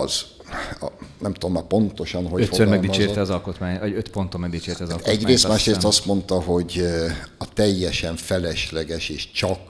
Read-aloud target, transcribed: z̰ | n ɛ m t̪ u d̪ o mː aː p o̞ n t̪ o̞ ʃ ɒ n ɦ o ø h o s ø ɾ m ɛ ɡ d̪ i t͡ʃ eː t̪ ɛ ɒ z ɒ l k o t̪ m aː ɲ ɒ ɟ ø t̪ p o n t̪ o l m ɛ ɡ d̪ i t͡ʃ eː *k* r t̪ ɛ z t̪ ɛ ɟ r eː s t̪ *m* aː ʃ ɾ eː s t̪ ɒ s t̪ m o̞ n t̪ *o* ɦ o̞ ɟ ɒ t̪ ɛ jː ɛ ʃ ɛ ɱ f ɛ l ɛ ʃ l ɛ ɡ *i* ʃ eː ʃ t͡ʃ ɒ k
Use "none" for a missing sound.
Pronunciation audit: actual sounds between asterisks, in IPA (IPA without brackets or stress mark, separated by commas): none, m, ɒ, ɛ